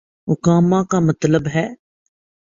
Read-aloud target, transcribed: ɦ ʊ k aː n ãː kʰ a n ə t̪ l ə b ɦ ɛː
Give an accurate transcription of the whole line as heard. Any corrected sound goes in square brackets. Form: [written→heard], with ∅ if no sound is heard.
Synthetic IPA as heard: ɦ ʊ k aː [n→m] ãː [kʰ→k] a [n→m] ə t̪ l ə b ɦ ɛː